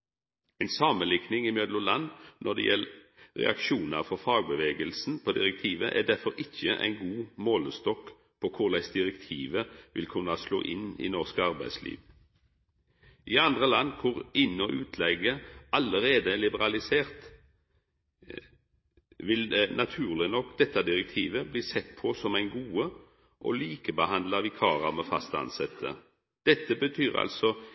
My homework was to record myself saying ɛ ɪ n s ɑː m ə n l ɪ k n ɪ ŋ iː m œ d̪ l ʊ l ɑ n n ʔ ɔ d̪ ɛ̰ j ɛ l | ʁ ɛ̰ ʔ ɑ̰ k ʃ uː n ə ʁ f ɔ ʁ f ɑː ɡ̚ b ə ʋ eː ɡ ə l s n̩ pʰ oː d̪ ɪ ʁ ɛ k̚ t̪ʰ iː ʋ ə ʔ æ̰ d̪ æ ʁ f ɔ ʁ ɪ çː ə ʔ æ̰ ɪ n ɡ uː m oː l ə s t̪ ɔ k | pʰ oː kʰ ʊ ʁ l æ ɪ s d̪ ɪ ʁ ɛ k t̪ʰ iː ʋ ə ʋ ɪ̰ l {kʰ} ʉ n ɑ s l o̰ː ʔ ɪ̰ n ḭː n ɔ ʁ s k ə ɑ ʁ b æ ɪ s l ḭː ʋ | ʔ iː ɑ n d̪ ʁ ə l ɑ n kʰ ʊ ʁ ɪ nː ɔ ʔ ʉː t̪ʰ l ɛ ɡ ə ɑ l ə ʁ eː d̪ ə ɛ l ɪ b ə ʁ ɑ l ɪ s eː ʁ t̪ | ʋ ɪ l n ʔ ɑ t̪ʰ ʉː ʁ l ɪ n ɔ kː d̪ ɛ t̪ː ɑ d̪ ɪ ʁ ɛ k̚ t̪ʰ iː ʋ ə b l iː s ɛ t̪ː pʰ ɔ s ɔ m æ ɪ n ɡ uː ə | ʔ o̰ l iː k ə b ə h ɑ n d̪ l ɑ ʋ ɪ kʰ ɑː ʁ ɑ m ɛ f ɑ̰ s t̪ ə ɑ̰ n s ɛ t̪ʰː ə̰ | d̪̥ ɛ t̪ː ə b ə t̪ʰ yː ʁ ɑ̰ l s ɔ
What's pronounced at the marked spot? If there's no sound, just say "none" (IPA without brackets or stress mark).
kʰ